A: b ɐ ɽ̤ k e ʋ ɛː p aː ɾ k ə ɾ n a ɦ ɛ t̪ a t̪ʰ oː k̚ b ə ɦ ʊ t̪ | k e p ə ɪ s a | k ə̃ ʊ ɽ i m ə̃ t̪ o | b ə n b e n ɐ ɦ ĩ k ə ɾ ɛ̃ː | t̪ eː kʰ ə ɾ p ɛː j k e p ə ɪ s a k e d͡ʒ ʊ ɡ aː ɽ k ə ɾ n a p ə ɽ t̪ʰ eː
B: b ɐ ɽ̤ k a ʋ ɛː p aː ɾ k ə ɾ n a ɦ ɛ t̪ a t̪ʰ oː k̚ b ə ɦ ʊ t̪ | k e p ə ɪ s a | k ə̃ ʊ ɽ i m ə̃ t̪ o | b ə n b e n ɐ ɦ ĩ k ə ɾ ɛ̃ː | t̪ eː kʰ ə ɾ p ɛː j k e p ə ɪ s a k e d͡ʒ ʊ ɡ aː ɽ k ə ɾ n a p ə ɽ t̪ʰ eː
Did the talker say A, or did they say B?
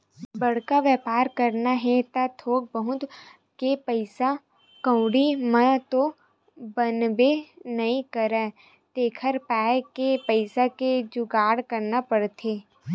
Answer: B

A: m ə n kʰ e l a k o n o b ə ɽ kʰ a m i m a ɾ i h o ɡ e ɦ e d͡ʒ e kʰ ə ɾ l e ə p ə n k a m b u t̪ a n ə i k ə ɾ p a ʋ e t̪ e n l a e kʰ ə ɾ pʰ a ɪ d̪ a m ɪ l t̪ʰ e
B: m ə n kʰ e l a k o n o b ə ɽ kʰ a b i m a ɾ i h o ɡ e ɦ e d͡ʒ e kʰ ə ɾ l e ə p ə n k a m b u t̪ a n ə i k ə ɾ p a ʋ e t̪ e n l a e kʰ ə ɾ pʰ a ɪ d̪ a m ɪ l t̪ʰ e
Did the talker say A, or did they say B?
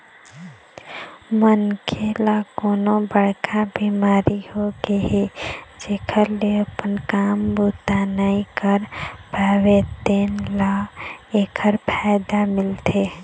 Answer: B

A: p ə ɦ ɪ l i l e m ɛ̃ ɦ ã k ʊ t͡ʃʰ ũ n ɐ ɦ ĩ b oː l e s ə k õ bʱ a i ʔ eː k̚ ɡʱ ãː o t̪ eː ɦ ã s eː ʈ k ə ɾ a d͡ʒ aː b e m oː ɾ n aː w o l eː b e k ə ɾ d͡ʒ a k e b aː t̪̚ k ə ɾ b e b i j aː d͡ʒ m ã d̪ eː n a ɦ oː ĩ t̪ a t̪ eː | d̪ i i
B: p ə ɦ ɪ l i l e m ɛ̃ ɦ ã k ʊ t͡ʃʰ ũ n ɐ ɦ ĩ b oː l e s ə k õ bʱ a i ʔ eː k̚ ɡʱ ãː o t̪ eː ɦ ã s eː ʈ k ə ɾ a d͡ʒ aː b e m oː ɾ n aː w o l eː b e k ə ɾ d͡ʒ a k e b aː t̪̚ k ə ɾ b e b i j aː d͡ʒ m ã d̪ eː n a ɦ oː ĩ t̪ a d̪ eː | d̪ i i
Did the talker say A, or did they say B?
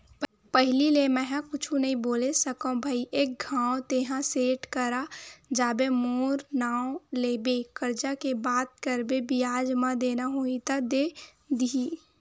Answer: B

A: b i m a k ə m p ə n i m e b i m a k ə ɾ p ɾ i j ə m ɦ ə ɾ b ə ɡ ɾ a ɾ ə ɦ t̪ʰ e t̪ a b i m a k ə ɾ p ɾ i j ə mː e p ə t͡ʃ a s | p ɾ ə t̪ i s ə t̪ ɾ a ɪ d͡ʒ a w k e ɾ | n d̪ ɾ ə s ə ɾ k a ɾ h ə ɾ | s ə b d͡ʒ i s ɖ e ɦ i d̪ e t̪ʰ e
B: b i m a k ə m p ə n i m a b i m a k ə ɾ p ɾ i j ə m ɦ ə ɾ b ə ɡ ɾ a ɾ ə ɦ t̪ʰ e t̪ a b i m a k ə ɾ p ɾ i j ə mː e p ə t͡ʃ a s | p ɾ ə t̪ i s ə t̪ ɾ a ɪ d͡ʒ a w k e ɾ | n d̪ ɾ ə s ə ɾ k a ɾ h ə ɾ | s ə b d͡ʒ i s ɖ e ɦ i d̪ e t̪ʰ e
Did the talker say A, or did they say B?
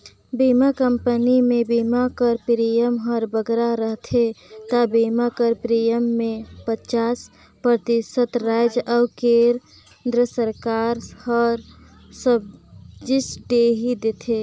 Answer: A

